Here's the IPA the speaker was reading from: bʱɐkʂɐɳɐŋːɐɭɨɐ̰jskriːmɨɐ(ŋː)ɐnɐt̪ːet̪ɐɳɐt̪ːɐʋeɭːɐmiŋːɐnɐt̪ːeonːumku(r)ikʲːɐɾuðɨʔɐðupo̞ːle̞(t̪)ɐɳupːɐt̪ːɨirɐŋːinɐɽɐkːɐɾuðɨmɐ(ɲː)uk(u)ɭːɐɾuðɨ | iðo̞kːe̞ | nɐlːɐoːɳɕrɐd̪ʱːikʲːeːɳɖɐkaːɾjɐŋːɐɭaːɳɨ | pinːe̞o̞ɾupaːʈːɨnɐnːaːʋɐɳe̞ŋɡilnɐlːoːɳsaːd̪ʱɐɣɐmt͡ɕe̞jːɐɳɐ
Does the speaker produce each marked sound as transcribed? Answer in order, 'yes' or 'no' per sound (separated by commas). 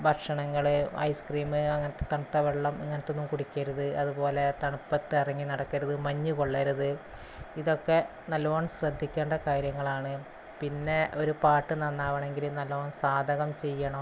yes, no, yes, yes, no